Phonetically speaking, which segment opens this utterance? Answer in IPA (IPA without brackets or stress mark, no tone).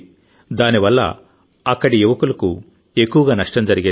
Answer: d̪